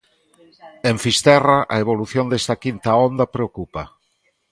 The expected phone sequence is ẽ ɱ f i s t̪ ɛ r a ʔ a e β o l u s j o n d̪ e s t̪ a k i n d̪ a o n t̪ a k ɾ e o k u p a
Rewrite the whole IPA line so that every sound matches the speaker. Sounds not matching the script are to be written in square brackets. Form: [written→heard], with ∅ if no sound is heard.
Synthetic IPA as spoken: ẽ ɱ f i s t̪ ɛ r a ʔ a e β o l u [s→θ] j o n d̪ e s t̪ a k i n [d̪→t̪] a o n [t̪→d̪] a [k→p] ɾ e o k u p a